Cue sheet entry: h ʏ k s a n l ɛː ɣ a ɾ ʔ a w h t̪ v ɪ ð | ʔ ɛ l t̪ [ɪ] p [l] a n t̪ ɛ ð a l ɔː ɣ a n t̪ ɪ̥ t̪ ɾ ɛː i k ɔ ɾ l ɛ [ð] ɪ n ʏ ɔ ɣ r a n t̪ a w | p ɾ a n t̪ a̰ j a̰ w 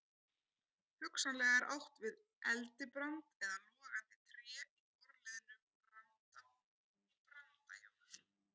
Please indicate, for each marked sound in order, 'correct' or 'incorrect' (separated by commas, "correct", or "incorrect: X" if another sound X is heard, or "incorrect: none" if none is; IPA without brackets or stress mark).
correct, incorrect: ɾ, correct